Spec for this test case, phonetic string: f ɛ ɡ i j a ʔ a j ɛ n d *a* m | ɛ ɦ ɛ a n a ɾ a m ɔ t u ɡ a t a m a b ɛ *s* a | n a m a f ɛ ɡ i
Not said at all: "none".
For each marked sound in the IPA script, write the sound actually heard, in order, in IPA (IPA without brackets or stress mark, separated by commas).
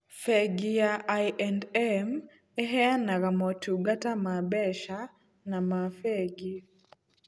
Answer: ɛ, ʃ